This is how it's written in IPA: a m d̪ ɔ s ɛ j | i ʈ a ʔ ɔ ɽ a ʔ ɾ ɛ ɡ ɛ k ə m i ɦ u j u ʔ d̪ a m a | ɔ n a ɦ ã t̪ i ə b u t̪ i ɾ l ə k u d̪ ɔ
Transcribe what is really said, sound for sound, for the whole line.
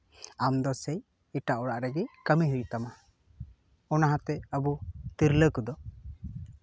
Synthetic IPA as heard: a m d̪ ɔ s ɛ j | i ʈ a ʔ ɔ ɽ a ʔ ɾ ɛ ɡ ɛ k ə m i ɦ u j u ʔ t̪ a m a | ɔ n a ɦ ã t̪ ɛ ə b u t̪ i ɾ l ə k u d̪ ɔ